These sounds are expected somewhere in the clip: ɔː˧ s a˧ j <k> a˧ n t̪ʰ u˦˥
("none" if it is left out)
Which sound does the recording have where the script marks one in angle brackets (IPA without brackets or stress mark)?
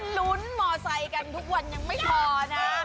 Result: k